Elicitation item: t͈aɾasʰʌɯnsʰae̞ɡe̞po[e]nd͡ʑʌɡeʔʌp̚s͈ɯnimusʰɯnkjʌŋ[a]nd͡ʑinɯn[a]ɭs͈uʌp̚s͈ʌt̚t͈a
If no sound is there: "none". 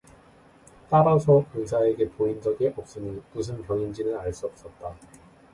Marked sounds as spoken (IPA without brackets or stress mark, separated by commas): i, i, a